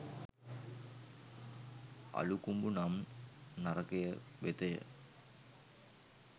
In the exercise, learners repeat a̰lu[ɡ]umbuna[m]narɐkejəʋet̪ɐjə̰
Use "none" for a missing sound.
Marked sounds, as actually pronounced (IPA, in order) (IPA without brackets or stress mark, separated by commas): k, m